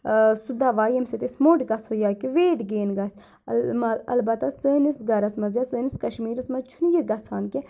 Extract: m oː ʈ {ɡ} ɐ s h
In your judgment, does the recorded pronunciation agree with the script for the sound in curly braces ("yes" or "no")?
yes